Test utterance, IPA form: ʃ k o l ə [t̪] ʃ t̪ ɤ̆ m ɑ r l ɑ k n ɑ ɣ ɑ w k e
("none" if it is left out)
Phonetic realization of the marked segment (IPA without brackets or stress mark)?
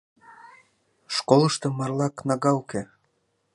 none